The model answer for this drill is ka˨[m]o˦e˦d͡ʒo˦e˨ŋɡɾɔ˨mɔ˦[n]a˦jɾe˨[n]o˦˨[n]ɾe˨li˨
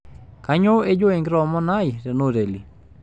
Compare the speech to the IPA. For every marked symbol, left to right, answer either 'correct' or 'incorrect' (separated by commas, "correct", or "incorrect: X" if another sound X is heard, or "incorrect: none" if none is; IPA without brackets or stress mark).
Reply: incorrect: ɲ, correct, correct, incorrect: none